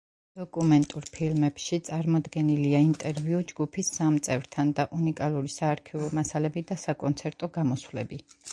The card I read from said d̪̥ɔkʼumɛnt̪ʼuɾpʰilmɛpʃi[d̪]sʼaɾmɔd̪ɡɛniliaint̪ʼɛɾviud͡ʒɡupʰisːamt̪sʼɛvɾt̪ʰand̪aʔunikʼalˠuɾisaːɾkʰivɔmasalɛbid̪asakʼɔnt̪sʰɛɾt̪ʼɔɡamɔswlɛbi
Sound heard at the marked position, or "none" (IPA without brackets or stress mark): t̪